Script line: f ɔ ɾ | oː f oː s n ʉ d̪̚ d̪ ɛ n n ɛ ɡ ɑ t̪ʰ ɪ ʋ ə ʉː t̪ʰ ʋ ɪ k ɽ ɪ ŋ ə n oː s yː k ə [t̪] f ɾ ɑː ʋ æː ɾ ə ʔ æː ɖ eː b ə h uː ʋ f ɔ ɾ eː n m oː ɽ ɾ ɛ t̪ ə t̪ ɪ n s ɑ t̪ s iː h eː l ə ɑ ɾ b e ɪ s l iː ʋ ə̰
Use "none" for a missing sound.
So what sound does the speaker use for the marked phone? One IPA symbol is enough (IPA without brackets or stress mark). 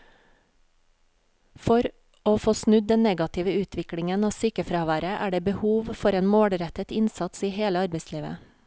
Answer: none